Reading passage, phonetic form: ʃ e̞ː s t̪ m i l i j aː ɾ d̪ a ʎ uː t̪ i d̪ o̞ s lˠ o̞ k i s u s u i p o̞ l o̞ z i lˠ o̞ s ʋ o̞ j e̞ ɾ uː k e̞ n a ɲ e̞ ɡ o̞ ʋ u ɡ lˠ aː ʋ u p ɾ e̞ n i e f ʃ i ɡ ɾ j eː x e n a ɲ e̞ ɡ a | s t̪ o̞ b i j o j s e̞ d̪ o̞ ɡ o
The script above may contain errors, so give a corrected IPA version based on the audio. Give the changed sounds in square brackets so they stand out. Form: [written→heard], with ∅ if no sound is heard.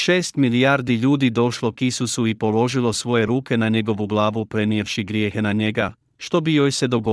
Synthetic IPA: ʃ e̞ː s t̪ m i l i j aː ɾ d̪ [a→i] ʎ uː [t̪→d̪] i d̪ o̞ [s→ʃ] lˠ o̞ k i s u s u i p o̞ l o̞ [z→ʒ] i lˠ o̞ s ʋ o̞ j e̞ ɾ uː k e̞ n a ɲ e̞ ɡ o̞ ʋ u ɡ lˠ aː ʋ u p ɾ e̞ n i e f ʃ i ɡ ɾ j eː x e n a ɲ e̞ ɡ a | [s→ʃ] t̪ o̞ b i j o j s e̞ d̪ o̞ ɡ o